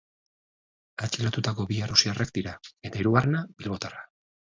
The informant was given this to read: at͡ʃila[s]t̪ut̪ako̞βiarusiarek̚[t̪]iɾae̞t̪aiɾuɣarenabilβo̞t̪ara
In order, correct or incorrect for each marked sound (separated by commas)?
incorrect, incorrect